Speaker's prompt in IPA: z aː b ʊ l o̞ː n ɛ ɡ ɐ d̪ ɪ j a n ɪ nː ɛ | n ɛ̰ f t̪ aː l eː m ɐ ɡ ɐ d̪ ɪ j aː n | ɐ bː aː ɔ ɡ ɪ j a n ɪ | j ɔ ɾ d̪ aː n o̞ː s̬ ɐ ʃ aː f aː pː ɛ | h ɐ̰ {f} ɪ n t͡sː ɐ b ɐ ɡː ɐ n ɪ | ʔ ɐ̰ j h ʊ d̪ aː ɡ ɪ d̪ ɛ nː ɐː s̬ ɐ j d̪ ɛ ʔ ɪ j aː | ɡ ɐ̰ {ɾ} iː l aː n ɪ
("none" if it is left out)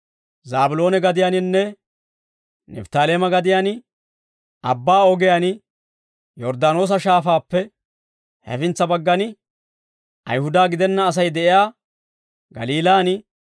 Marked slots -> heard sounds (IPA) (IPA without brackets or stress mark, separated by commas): f, l